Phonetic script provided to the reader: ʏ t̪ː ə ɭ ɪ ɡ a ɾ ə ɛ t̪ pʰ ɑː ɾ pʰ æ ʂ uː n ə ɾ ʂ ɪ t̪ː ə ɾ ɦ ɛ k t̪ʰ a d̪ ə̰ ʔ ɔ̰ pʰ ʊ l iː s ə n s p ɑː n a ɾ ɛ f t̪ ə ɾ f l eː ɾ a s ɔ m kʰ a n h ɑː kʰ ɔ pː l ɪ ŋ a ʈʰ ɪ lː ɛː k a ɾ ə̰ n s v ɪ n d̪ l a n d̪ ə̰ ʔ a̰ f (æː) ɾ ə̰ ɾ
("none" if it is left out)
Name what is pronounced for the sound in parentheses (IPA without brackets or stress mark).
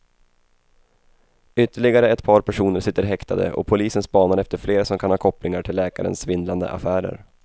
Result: æː